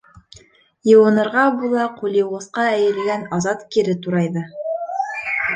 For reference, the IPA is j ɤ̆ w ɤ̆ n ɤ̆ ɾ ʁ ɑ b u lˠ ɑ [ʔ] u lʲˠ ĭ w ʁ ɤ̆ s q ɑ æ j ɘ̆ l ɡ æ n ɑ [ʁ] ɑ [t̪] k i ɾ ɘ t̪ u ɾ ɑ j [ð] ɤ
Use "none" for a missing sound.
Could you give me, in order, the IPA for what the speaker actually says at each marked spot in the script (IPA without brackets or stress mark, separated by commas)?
q, z, t̪, ð